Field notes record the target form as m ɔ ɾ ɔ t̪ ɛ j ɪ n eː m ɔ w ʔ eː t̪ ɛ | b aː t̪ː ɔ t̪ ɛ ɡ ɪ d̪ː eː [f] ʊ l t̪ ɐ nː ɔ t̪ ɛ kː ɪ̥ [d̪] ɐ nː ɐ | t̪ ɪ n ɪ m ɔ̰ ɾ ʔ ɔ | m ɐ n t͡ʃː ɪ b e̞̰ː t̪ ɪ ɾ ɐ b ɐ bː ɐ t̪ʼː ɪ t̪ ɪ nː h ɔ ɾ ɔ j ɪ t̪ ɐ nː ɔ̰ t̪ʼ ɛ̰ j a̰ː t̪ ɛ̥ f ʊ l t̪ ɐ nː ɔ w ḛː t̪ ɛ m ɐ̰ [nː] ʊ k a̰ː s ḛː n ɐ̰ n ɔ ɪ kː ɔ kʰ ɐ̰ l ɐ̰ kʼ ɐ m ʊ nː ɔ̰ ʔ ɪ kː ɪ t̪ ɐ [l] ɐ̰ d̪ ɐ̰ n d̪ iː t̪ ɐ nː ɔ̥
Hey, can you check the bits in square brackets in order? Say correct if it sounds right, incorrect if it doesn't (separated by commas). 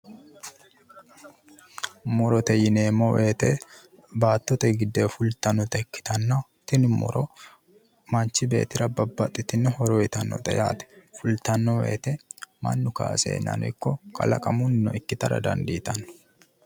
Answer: correct, incorrect, correct, incorrect